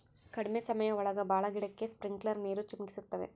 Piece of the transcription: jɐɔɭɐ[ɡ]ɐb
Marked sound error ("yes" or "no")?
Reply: no